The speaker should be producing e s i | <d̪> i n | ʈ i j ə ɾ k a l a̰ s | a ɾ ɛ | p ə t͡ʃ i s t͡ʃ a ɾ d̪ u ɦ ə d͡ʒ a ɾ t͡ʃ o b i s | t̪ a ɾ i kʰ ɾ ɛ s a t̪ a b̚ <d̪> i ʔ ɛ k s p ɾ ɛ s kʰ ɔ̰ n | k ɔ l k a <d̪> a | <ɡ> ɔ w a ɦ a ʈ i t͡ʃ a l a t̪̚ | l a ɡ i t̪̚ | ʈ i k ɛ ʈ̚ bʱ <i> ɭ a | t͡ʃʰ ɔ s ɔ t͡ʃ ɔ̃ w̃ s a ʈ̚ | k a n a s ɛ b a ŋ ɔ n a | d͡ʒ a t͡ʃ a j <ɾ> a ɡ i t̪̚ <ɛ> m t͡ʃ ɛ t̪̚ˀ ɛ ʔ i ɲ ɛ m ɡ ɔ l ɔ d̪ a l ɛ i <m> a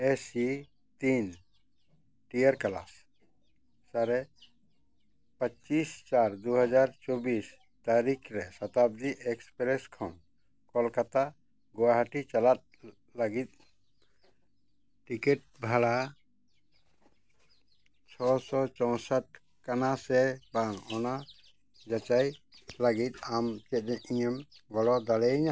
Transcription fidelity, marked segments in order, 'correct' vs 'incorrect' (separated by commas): incorrect, correct, incorrect, correct, incorrect, incorrect, incorrect, incorrect